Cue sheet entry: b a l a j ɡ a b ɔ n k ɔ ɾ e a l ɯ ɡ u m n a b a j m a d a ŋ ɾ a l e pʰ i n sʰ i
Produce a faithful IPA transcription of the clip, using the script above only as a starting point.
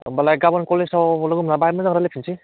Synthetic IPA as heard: b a l a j ɡ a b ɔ n k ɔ l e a l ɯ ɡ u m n a b a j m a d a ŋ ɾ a l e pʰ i n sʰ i